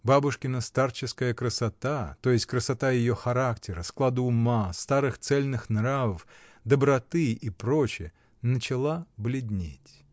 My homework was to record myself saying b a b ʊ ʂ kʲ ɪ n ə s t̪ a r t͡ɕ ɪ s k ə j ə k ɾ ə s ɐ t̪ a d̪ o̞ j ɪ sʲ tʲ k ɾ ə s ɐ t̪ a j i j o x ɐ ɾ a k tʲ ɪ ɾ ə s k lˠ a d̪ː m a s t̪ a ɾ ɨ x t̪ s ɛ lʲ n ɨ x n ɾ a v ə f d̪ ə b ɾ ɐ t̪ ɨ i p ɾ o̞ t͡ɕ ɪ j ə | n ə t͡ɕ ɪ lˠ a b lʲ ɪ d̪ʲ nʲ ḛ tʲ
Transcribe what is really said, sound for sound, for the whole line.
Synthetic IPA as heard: b a b ʊ ʂ kʲ ɪ n ə s t̪ a r t͡ɕ ɪ s k ə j ə k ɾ ə s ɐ t̪ a t̪ o̞ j ɪ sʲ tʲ k ɾ ə s ɐ t̪ a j ɪ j o x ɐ ɾ a k tʲ ɪ ɾ ə s k lˠ a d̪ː m a s t̪ a ɾ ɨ x t̪ s ɛ lʲ n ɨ x n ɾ a v ə f d̪ ə b ɾ ɐ t̪ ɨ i p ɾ o̞ t͡ɕ ɪ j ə | n ə t͡ɕ ɪ lˠ a b lʲ ɪ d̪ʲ nʲ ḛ tʲ